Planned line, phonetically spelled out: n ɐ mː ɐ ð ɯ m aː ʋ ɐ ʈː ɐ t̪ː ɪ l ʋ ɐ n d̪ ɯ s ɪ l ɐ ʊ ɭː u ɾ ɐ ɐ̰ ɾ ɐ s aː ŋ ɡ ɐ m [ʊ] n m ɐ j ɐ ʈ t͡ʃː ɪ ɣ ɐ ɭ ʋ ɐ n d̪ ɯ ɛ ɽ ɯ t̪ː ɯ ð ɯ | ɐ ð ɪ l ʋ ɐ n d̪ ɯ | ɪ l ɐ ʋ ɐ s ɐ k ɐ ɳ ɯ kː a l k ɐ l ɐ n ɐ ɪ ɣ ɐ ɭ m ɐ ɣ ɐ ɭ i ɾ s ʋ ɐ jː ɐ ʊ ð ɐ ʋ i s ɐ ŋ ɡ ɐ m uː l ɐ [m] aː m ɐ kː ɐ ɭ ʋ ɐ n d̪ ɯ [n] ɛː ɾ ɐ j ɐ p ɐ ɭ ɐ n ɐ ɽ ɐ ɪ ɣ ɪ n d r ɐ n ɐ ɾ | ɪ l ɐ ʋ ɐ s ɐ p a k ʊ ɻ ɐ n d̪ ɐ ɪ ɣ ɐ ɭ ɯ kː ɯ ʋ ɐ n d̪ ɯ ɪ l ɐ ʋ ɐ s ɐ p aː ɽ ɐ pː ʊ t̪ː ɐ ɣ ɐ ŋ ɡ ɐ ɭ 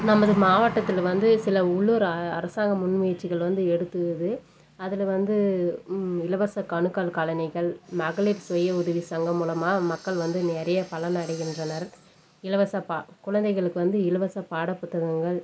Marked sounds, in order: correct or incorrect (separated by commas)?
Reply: correct, correct, correct